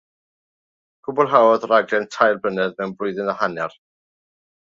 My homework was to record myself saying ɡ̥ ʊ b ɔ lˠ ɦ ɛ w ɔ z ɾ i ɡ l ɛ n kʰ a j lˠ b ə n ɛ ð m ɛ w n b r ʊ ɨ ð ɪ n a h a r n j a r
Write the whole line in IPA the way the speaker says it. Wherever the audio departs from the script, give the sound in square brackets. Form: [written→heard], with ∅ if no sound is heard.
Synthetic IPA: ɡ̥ ʊ b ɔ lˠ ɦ [ɛ→a] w ɔ [z→ð] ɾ [i→a] ɡ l ɛ n [kʰ→tʰ] a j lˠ b ə n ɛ ð m ɛ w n b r ʊ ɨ ð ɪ n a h a [r→∅] n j a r